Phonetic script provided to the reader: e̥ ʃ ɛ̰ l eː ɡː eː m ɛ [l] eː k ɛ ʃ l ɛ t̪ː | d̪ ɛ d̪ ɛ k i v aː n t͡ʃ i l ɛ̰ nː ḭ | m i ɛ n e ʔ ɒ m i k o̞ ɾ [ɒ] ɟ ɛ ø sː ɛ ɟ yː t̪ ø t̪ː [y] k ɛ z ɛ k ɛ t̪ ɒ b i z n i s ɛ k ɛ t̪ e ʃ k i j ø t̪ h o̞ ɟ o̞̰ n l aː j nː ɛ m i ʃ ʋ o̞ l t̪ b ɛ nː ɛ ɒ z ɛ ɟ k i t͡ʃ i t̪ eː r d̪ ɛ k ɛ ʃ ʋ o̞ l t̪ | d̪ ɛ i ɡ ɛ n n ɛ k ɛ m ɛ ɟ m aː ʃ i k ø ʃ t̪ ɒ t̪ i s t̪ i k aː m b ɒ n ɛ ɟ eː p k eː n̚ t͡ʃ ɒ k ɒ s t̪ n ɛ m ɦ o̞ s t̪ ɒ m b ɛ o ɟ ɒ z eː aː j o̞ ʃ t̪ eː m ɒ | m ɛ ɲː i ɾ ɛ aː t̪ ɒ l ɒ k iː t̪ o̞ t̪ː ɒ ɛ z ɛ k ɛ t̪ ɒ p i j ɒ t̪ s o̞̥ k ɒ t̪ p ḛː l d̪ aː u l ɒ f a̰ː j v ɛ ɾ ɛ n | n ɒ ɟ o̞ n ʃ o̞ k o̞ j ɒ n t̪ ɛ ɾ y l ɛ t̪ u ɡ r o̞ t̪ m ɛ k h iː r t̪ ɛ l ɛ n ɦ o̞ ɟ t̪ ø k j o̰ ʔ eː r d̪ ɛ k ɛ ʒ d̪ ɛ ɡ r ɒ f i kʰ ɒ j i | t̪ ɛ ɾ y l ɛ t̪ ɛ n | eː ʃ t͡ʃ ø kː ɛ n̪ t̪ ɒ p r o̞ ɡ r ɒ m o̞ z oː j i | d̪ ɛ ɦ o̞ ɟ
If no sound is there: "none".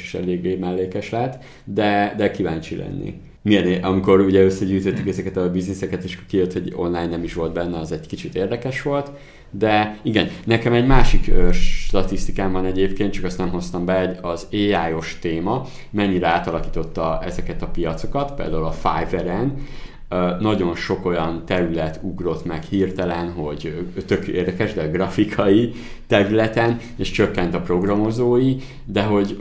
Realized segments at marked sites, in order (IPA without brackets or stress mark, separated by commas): lː, u, y